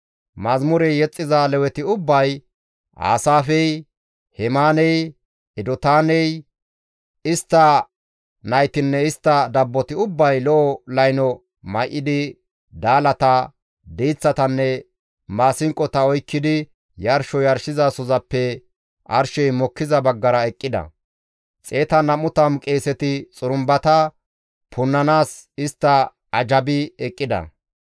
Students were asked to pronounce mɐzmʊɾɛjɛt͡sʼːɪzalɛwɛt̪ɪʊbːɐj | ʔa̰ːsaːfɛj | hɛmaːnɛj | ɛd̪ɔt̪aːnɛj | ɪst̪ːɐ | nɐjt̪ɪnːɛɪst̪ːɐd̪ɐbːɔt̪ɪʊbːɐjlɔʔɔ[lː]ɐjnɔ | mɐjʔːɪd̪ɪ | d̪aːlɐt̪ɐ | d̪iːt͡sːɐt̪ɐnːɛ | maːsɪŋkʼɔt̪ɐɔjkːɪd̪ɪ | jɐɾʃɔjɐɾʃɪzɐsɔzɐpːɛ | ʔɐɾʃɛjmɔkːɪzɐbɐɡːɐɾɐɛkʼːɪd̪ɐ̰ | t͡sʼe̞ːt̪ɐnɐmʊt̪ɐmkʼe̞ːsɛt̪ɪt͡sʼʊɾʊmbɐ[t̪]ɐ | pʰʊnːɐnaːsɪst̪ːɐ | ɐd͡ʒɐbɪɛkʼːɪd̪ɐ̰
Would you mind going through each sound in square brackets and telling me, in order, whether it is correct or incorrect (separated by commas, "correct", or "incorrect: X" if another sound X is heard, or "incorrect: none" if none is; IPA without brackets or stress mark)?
incorrect: l, correct